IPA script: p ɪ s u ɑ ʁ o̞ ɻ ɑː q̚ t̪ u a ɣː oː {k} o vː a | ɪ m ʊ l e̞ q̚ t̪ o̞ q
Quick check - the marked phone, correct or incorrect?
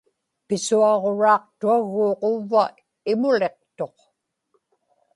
incorrect